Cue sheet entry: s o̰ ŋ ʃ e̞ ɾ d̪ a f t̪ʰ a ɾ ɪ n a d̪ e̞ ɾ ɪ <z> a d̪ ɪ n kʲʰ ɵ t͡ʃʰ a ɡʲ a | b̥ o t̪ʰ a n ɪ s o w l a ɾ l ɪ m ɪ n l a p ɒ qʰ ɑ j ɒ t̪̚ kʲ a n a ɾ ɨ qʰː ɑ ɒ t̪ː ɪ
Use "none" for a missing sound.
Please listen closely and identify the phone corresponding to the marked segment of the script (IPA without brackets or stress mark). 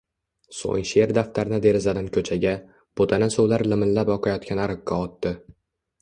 z